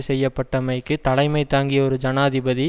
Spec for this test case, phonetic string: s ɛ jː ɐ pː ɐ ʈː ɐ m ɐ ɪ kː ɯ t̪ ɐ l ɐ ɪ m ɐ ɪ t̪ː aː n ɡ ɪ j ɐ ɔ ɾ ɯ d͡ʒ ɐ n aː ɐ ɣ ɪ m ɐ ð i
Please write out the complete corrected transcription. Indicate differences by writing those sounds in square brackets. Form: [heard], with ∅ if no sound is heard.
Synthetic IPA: s ɛ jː ɐ pː ɐ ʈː ɐ m ɐ ɪ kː ɯ t̪ ɐ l ɐ ɪ m ɐ ɪ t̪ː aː [ŋ] ɡ ɪ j ɐ ɔ ɾ ɯ d͡ʒ ɐ n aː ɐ [ð] ɪ [b] ɐ ð i